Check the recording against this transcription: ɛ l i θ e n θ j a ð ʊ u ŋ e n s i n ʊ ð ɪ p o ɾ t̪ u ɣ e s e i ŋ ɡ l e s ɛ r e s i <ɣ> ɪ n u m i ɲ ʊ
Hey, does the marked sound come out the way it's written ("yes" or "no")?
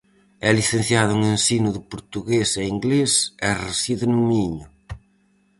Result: no